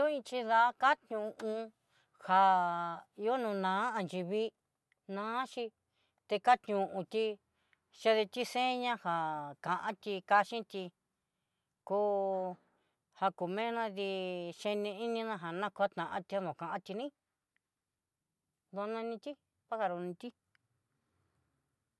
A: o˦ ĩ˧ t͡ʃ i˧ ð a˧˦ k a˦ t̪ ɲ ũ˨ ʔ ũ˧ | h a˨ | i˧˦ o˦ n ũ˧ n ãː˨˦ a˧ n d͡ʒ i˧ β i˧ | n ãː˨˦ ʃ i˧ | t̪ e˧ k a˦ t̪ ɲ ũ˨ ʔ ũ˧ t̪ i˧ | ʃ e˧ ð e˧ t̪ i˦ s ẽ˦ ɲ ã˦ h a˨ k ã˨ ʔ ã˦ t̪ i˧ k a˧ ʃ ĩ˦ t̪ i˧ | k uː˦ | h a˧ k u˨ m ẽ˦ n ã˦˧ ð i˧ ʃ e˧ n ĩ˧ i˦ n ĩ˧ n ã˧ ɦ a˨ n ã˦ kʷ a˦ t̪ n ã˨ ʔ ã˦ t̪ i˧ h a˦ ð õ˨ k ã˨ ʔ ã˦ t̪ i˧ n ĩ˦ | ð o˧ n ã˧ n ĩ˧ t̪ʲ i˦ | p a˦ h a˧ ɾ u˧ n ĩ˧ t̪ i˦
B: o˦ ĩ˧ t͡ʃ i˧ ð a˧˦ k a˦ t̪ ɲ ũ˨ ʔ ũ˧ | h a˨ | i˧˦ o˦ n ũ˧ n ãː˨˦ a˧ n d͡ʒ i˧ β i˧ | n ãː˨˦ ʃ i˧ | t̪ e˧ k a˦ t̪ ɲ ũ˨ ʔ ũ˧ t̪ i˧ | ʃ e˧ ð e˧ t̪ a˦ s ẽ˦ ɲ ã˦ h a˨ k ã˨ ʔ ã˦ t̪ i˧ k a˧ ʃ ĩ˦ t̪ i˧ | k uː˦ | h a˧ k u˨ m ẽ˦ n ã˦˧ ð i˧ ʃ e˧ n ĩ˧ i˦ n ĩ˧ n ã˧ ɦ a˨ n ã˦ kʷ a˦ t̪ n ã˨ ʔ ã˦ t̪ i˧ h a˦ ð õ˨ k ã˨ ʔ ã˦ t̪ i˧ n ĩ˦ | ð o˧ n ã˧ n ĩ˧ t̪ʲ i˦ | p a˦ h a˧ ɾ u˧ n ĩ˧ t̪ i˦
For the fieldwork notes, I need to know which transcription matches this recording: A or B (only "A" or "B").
A